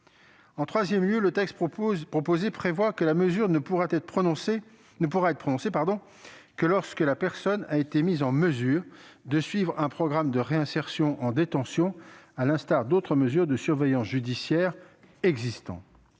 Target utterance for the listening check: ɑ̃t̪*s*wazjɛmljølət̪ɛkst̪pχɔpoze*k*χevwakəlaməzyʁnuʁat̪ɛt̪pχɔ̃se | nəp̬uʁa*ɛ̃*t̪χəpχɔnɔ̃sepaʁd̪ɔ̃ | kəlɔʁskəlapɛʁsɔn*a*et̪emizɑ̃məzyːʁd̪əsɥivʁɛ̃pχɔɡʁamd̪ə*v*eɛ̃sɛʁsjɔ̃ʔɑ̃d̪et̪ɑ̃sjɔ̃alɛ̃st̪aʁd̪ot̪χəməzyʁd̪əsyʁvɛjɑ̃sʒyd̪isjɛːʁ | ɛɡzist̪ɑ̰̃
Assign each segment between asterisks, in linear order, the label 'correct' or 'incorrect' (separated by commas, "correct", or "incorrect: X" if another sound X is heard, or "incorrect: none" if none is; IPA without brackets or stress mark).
incorrect: χ, incorrect: p, incorrect: ɛ, correct, incorrect: ʁ